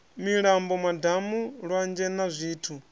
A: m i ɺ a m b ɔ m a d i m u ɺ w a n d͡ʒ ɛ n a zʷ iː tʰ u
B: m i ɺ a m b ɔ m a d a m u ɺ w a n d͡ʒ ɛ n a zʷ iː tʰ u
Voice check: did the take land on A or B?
B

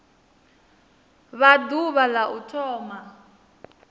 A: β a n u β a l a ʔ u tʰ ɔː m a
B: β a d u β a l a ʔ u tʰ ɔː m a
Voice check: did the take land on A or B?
B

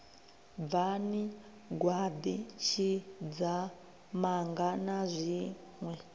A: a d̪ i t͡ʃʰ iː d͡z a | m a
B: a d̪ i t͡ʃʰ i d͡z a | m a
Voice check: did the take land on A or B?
B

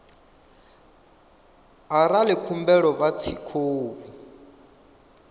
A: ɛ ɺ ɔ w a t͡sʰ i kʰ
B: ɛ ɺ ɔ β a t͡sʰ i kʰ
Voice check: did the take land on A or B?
B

